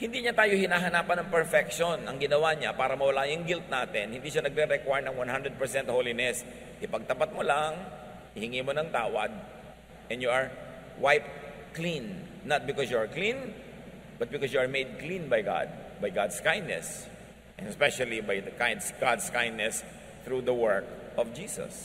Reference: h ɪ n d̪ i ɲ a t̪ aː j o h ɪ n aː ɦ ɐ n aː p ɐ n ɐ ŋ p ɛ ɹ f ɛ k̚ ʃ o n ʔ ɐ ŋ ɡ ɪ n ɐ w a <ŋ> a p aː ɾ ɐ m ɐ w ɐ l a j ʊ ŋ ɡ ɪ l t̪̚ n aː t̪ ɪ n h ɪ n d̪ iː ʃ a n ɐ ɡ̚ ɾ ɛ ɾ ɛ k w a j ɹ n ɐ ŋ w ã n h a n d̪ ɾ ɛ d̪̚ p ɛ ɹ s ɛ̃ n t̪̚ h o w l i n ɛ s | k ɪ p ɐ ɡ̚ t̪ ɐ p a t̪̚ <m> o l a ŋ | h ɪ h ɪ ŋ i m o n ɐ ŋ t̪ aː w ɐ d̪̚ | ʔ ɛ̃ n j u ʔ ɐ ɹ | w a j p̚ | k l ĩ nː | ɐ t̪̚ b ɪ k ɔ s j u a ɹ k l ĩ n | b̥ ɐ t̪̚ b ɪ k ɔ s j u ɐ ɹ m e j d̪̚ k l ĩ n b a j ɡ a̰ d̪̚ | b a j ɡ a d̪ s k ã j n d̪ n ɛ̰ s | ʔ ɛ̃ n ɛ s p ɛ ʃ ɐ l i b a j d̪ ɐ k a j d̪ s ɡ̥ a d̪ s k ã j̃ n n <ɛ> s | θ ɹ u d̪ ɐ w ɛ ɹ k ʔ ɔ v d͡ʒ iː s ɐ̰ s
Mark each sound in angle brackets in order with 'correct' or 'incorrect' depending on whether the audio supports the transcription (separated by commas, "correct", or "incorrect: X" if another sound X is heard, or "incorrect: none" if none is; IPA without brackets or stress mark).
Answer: incorrect: ɲ, correct, correct